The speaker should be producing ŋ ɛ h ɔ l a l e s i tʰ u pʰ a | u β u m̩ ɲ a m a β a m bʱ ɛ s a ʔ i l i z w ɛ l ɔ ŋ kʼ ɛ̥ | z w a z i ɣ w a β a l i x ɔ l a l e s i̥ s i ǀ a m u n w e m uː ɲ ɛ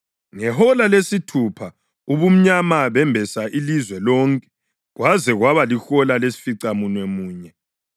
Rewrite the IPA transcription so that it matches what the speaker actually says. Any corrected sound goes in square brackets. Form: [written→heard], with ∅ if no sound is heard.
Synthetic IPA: ŋ ɛ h ɔ l a l e s i tʰ u pʰ a | u β u m̩ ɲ a m a β [a→ɛ] m bʱ ɛ s a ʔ i l i z w ɛ l ɔ ŋ kʼ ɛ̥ | [z→ɣ] w a z [i→ɛ] ɣ w a β a l i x ɔ l a l e s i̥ [s→f] i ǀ a m u n w e m uː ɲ ɛ